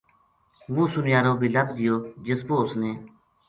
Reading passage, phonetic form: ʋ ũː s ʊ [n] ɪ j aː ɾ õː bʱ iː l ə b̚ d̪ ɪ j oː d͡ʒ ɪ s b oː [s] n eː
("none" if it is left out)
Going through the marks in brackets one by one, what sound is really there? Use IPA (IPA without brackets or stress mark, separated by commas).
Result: n, s